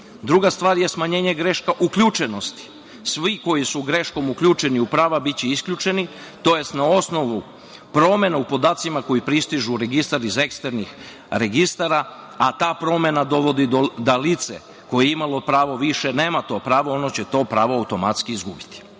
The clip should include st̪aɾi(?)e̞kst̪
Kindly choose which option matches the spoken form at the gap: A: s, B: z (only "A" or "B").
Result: B